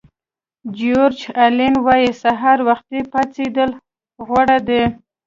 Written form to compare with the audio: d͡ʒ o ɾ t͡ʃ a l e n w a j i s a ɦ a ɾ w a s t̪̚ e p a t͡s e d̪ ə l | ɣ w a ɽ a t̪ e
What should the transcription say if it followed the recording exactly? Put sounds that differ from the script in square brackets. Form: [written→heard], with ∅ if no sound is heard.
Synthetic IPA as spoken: d͡ʒ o ɾ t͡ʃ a l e n w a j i s a ɦ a ɾ w a [s→x] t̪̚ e p a t͡s e d̪ ə l | ɣ w a ɽ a [t̪→d̪] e